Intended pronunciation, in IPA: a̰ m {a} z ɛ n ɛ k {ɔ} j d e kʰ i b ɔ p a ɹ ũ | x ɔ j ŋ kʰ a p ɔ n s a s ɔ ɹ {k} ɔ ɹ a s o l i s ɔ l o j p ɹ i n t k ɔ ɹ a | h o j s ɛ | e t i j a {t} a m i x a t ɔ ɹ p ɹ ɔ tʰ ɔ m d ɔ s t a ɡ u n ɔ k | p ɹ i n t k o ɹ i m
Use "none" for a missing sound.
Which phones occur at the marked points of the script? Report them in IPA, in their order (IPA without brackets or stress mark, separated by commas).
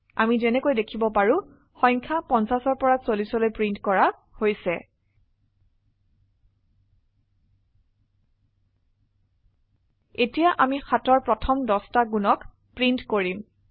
i, o, p, ʔ